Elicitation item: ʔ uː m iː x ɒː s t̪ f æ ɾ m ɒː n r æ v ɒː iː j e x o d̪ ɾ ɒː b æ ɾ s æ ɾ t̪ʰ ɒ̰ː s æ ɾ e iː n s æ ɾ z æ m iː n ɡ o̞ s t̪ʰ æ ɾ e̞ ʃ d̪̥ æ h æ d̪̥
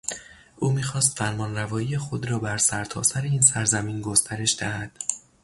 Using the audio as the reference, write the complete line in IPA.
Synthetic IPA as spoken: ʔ uː m iː x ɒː s t̪ f æ ɾ m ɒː n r æ v ɒː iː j e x o d̪ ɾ ɒː b æ ɾ s æ ɾ t̪ʰ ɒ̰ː s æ ɾ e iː n s æ ɾ z æ m iː n ɡ o̞ s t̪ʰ æ ɾ e̞ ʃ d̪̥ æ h æ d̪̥